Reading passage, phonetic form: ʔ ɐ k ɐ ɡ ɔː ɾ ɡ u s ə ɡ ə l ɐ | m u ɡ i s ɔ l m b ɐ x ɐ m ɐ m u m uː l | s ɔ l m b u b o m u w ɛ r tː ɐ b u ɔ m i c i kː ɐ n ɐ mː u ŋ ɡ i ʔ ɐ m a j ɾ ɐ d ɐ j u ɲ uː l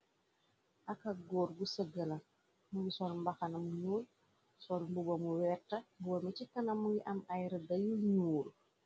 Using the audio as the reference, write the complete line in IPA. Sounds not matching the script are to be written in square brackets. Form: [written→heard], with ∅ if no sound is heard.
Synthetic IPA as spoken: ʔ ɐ k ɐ ɡ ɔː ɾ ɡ u s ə ɡ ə l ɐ | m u ɡ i s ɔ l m b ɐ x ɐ [m→n] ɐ m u [m→ɲ] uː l | s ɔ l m b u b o m u w ɛ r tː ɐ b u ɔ m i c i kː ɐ n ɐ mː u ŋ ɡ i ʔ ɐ m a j ɾ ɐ d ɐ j u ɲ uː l